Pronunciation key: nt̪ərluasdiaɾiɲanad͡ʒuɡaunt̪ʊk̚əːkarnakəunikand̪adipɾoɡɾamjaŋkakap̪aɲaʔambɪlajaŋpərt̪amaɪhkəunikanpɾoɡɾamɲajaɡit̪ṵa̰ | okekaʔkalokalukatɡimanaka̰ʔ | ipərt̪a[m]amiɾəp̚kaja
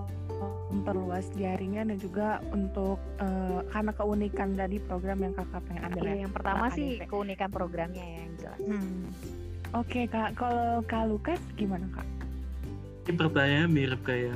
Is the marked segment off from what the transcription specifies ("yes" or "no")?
yes